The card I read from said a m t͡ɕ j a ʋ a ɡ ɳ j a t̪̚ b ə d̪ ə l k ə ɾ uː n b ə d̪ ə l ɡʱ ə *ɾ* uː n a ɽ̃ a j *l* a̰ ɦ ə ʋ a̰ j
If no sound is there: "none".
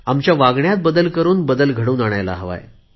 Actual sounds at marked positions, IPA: ɽ, l

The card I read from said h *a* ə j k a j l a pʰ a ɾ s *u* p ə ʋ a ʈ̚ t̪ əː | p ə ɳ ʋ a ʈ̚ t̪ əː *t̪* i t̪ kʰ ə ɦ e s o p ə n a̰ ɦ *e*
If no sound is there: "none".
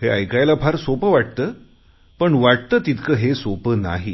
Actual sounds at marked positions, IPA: e, o, t̪, i

